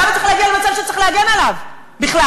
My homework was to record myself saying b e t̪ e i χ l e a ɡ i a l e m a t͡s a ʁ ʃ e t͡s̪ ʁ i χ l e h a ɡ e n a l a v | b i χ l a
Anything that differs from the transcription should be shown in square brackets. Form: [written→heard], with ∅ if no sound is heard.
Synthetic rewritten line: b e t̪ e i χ l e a ɡ i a l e m a t͡s a [ʁ→v] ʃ e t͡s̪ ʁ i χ l e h a ɡ e n a l a v | b i χ l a